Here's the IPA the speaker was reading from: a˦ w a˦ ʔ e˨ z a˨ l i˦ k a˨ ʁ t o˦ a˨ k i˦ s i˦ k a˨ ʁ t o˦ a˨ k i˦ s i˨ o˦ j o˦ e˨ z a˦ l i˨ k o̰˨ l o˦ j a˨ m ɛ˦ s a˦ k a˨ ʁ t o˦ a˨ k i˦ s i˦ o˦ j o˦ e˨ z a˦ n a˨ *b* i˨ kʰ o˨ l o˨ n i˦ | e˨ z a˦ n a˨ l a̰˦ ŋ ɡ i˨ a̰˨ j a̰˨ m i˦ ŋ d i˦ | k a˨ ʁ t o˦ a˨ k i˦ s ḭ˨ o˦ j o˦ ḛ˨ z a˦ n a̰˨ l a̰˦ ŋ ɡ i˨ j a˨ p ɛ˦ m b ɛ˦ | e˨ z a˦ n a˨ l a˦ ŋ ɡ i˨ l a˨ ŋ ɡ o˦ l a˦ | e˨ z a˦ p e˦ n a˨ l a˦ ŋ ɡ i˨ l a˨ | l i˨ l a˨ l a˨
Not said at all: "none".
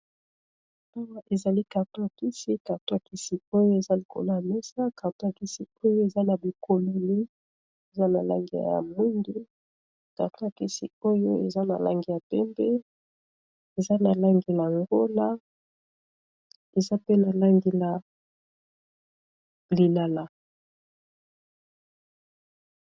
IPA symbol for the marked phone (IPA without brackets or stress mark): b